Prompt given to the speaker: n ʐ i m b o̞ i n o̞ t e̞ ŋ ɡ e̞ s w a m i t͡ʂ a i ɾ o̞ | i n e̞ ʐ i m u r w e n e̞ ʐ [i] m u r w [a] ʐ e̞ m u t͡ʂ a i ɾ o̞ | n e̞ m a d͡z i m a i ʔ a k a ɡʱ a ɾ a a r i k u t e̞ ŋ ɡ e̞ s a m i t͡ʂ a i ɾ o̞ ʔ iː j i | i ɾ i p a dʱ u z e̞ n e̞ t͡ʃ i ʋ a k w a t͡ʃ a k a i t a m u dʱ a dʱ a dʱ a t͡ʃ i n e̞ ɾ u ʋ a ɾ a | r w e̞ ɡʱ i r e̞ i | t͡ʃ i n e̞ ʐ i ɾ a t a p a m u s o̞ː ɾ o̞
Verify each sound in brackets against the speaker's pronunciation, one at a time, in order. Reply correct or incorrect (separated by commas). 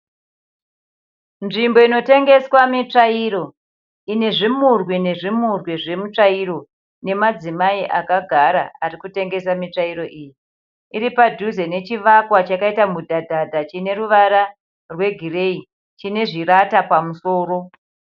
correct, incorrect